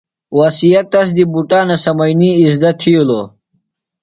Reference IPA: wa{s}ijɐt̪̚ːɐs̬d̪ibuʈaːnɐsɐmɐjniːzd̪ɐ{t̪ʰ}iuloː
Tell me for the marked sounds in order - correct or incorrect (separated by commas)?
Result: correct, correct